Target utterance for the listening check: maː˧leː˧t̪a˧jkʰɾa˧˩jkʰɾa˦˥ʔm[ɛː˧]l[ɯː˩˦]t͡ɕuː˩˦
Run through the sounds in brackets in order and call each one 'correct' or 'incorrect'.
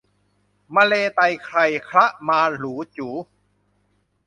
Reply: incorrect, incorrect

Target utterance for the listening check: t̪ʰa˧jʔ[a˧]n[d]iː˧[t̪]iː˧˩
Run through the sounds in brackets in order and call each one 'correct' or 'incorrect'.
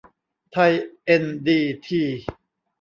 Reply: incorrect, correct, incorrect

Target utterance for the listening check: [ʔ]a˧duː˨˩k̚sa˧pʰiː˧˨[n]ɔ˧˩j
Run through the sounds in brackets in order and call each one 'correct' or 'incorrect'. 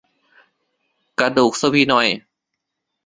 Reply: incorrect, correct

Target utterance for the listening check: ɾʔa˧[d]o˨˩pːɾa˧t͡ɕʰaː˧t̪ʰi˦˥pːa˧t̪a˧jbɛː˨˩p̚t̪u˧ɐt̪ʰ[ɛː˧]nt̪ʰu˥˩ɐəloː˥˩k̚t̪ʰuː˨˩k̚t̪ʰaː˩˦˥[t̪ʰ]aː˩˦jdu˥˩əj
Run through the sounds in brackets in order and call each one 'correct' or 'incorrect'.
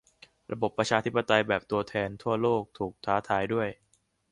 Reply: incorrect, correct, correct

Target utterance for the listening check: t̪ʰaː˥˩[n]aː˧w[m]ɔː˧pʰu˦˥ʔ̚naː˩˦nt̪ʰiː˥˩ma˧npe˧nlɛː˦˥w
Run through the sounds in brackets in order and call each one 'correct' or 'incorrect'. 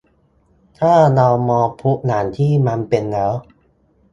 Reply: correct, correct

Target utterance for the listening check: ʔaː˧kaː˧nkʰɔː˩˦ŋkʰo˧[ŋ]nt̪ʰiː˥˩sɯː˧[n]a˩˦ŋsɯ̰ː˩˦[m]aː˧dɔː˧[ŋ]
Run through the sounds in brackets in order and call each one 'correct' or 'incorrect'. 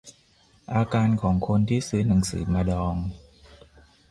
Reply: incorrect, correct, correct, correct

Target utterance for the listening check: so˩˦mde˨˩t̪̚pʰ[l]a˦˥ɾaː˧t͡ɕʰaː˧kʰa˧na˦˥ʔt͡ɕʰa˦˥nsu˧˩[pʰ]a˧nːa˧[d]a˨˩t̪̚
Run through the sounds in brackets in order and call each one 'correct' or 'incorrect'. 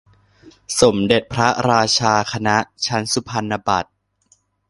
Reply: incorrect, correct, incorrect

